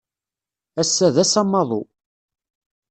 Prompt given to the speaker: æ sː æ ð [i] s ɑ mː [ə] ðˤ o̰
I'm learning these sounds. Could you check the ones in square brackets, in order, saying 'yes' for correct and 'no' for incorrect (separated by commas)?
no, no